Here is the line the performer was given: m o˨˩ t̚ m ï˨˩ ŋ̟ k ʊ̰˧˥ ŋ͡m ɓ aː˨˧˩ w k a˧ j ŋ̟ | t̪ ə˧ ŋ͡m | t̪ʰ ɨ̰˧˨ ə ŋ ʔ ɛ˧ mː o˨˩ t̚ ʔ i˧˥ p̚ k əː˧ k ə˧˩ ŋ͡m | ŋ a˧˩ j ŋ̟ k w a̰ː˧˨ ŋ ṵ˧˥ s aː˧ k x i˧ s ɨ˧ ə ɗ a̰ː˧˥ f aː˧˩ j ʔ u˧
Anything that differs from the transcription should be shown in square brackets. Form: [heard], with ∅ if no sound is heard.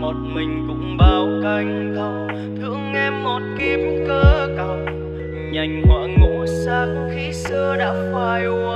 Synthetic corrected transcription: m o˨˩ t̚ m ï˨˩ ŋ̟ k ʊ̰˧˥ ŋ͡m ɓ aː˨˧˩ w k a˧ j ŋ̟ | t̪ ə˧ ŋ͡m | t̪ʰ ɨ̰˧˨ ə ŋ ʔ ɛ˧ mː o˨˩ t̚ [k] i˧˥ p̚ k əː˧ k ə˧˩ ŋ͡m | [ɲ] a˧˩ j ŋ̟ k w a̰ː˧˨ ŋ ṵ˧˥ s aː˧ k x i˧ s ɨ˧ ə ɗ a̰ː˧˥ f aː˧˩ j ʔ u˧